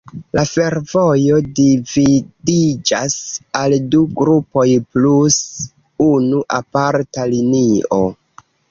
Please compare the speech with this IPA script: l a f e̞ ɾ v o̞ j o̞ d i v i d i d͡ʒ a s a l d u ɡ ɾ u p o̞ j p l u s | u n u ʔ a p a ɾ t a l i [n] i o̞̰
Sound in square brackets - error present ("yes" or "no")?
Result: no